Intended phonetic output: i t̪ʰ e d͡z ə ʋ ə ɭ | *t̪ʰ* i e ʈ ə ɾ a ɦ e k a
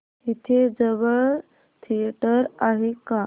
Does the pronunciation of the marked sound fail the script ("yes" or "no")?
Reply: no